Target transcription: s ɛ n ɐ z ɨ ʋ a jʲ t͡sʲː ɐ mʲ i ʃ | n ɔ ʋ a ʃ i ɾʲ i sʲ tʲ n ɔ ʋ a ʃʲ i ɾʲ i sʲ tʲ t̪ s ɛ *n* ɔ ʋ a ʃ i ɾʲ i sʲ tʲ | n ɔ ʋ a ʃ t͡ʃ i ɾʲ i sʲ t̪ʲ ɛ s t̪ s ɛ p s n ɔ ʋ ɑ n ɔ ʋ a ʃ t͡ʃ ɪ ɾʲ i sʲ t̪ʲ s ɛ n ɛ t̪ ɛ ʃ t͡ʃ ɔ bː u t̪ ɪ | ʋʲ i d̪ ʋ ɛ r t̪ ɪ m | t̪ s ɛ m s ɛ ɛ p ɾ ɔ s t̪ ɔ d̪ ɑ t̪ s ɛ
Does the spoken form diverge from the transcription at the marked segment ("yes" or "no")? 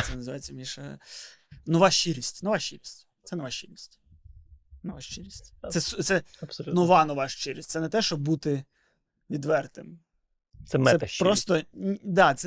no